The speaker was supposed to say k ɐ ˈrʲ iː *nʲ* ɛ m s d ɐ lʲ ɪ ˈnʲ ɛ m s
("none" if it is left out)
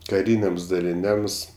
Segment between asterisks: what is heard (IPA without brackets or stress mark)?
nʲ